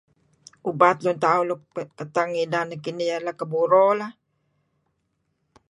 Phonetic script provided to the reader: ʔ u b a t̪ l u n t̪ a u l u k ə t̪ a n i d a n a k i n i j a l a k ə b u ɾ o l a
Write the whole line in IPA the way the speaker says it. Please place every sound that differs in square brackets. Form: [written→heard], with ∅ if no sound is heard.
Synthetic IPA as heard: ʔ u b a t̪ l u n t̪ a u l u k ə t̪ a [n→ŋ] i d a n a k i n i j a l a k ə b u ɾ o l a